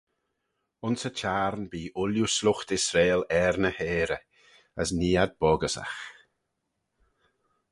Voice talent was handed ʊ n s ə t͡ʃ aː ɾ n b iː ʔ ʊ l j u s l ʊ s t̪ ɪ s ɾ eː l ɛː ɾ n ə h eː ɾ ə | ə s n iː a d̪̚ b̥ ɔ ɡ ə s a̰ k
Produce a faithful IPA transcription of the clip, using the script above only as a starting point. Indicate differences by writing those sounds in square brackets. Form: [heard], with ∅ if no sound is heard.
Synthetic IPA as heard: ʊ n s ə t͡ʃ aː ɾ n b iː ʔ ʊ l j u s l ʊ [x] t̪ ɪ s ɾ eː l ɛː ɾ n ə h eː ɾ ə | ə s n iː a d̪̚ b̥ ɔ ɡ ə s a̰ [x]